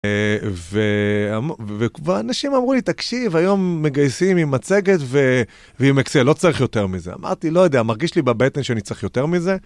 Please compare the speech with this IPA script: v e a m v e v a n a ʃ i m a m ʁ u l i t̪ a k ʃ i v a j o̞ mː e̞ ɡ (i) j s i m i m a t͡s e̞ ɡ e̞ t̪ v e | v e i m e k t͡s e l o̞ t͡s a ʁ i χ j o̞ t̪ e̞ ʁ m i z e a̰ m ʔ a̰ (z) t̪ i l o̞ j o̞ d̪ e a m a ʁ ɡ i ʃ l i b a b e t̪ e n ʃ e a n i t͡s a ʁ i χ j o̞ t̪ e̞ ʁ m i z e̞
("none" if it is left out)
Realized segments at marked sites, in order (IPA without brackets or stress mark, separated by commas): a, ʁ